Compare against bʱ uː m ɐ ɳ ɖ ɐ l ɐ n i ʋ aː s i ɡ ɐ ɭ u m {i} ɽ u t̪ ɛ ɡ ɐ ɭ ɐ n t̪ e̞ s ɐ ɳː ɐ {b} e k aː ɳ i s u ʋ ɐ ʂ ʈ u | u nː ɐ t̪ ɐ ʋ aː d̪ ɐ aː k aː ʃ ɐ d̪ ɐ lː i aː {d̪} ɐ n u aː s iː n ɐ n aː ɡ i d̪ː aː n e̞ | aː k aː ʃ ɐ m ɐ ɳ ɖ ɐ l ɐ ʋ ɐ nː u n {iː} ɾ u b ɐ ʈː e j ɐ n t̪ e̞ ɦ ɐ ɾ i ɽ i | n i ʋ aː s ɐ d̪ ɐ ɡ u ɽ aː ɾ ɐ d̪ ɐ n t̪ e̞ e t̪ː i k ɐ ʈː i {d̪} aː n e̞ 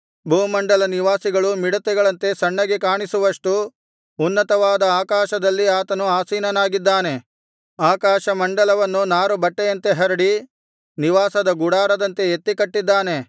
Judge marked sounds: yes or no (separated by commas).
yes, no, no, no, no